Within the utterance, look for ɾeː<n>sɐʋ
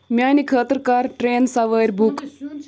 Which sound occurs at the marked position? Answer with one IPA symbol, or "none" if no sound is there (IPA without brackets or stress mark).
n